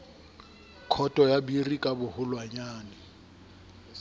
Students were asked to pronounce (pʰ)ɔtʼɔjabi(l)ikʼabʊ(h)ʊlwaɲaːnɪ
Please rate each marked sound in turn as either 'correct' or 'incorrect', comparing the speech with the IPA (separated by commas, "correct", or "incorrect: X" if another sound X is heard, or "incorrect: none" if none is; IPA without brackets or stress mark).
incorrect: kʰ, incorrect: r, correct